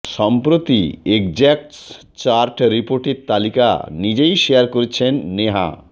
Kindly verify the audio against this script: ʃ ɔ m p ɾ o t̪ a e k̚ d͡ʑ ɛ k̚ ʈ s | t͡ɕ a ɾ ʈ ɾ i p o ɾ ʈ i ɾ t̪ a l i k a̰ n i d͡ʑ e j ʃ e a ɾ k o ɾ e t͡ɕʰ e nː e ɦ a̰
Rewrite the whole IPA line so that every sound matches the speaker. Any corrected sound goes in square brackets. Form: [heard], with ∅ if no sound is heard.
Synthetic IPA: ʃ ɔ m p ɾ o t̪ [i] e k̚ d͡ʑ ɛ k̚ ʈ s | t͡ɕ a ɾ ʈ ɾ i p o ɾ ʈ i ɾ t̪ a l i k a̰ n i d͡ʑ e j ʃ e a ɾ k o ɾ e t͡ɕʰ e nː e ɦ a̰

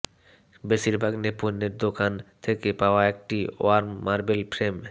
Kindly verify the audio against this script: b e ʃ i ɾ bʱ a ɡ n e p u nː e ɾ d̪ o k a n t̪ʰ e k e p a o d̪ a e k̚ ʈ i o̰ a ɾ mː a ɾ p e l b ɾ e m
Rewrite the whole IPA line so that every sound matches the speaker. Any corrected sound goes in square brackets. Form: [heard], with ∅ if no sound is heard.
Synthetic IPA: b e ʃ i ɾ bʱ a ɡ n e p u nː e ɾ d̪ o k a n t̪ʰ e k e p a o [∅] a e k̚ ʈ i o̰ a ɾ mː a ɾ [b] e l [p] ɾ e m

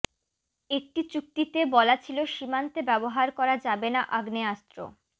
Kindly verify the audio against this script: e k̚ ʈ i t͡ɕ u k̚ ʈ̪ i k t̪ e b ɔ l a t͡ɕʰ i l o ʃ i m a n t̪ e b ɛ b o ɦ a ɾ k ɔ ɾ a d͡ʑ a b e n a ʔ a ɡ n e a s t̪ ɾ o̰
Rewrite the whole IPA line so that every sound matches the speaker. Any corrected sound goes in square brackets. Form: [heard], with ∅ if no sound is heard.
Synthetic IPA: e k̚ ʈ i t͡ɕ u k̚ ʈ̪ i [∅] t̪ e b ɔ l a t͡ɕʰ i l o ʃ i m a n t̪ e b ɛ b o ɦ a ɾ k ɔ ɾ a d͡ʑ a b e n a ʔ a ɡ n e a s t̪ ɾ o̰

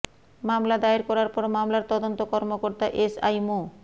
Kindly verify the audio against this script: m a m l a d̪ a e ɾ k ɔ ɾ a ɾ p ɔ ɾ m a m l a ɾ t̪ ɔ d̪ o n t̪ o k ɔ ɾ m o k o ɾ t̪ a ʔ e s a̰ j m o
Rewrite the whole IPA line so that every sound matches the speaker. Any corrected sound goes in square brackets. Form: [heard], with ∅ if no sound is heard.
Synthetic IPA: m a m l a d̪ a e ɾ k ɔ ɾ a ɾ p ɔ ɾ m a m l a ɾ t̪ ɔ d̪ o n t̪ o k ɔ ɾ m o k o ɾ t̪ a ʔ e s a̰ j m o

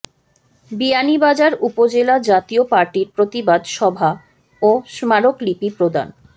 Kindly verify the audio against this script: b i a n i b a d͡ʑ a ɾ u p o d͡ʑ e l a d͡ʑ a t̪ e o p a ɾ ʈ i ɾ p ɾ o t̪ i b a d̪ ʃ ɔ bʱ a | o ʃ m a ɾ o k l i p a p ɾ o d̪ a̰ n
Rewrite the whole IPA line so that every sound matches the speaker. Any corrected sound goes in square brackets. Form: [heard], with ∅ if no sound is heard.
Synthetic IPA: b i a n i b a d͡ʑ a ɾ u p o d͡ʑ e l a d͡ʑ a t̪ [i] o p a ɾ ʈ i ɾ p ɾ o t̪ i b a d̪ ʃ ɔ bʱ a | o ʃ m a ɾ o k l i p [i] p ɾ o d̪ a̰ n

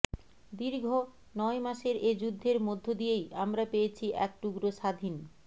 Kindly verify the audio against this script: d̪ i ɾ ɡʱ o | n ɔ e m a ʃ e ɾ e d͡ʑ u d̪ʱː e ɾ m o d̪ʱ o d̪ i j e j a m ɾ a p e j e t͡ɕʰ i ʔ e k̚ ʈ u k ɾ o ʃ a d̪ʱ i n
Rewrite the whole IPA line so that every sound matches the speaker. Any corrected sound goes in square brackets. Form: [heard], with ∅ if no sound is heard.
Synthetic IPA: d̪ i ɾ ɡʱ o | n ɔ e m a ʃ e ɾ e d͡ʑ u d̪ʱː e ɾ m o [d̪ʱː] o d̪ i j e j a m ɾ a p e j e t͡ɕʰ i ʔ [ɛ] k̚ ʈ u [ɡ] ɾ o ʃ a d̪ʱ i n

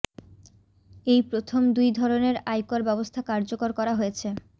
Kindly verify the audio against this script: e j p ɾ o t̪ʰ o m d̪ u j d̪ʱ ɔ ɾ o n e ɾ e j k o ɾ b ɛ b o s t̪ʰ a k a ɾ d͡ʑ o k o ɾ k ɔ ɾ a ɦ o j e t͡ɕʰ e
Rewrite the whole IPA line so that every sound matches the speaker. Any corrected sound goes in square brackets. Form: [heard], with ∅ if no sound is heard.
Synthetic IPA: e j p ɾ o t̪ʰ o m d̪ u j d̪ʱ ɔ ɾ o n e ɾ [a] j k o ɾ b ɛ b o s t̪ʰ a k a ɾ d͡ʑ o k o ɾ k ɔ ɾ a ɦ o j e t͡ɕʰ e

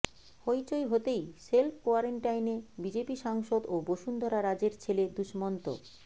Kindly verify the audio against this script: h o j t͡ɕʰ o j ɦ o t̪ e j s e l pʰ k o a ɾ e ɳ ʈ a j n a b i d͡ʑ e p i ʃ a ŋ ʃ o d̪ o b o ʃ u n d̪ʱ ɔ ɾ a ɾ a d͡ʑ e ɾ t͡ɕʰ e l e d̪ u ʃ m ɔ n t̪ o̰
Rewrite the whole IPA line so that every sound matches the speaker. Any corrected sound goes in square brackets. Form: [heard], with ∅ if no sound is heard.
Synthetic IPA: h o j [t͡ɕ] o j ɦ o t̪ e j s e l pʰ k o a ɾ e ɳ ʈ a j n [e] b i d͡ʑ e p i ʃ a ŋ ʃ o d̪ o b o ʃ u n d̪ʱ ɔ ɾ a ɾ a d͡ʑ e ɾ t͡ɕʰ e l e d̪ u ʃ m ɔ n t̪ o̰

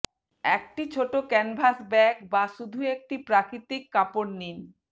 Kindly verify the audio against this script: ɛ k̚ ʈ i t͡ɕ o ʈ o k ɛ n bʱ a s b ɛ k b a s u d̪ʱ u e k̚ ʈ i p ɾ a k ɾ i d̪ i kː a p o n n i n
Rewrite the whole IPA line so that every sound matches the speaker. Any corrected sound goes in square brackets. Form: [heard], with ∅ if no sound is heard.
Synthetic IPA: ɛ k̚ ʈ i [t͡ɕʰ] o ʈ o k ɛ n bʱ a s b ɛ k b a [ʃ] u d̪ʱ u e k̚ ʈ i p ɾ a k ɾ i [t̪] i kː a p o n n i n

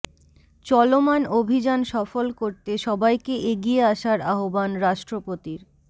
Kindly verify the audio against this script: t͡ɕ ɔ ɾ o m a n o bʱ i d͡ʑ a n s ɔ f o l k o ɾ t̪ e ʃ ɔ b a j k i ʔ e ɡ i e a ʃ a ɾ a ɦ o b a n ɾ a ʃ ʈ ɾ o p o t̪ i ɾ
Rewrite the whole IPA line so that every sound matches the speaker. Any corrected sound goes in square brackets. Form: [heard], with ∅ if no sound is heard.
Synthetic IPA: t͡ɕ ɔ [l] o m a n o bʱ i d͡ʑ a n [ʃ] ɔ f o l k o ɾ t̪ e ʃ ɔ b a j k [e] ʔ e ɡ i e a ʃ a ɾ a ɦ o b a n ɾ a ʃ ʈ ɾ o p o t̪ i ɾ

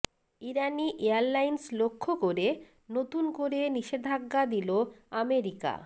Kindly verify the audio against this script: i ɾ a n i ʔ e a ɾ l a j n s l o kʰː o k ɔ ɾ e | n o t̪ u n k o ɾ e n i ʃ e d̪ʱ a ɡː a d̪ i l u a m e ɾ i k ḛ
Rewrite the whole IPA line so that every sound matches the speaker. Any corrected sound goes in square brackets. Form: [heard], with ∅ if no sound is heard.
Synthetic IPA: i ɾ a n i ʔ e a ɾ l a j n s l o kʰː o k [o] ɾ e | n o t̪ u n k o ɾ e n i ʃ e d̪ʱ a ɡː a d̪ i l [o] a m e ɾ i k [a̰]

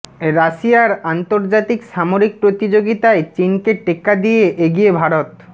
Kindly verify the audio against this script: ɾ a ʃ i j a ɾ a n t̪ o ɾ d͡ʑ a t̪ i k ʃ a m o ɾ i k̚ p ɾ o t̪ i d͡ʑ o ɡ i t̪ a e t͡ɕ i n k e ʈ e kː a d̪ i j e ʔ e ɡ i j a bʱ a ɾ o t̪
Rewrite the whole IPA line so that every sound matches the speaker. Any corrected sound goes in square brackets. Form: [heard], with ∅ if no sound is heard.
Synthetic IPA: ɾ a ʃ i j a ɾ a n t̪ o ɾ d͡ʑ a t̪ i k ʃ a m o ɾ i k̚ p ɾ o t̪ i d͡ʑ o ɡ i t̪ a e t͡ɕ i n k e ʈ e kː a d̪ i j e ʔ e ɡ i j [e] bʱ a ɾ o t̪

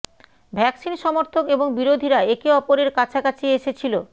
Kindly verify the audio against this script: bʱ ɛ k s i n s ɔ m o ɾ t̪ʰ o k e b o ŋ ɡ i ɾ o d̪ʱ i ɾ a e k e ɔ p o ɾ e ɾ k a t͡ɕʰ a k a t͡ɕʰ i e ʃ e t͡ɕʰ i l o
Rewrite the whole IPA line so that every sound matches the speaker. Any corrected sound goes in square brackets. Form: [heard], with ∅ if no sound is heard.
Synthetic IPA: bʱ ɛ k s i n [ʃ] ɔ m o ɾ t̪ʰ o k e b o ŋ [b] i ɾ o d̪ʱ i ɾ a e k e ɔ p o ɾ e ɾ k a t͡ɕʰ a k a t͡ɕʰ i e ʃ e t͡ɕʰ i l o

